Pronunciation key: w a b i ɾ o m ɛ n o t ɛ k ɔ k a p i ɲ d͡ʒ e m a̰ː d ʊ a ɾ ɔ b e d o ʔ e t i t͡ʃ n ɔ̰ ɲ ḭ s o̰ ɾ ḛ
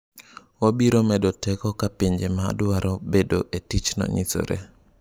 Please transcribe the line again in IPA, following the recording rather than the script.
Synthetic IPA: w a b i ɾ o m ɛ d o t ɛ k ɔ k a p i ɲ d͡ʒ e m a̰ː d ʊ a ɾ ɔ b e d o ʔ e t i t͡ʃ n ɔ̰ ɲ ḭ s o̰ ɾ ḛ